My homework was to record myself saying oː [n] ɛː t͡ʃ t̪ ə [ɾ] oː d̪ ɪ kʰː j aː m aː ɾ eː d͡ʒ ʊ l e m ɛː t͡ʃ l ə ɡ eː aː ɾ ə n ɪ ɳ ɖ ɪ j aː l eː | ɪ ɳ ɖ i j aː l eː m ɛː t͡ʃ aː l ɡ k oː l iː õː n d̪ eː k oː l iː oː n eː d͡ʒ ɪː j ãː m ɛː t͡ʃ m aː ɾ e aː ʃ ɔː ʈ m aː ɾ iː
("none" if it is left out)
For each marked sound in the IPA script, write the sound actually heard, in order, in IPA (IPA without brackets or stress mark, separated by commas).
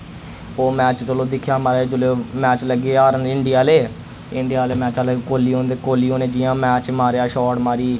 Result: m, l